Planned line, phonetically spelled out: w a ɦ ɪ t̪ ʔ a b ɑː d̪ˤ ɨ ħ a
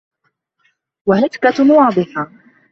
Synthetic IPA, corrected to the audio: w a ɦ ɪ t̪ k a w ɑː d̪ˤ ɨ ħ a